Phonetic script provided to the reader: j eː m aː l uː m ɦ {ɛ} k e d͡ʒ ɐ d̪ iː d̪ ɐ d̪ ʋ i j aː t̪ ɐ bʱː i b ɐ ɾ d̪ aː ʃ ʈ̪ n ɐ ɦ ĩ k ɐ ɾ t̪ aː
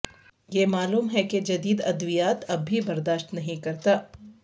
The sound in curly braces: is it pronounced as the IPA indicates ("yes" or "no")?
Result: yes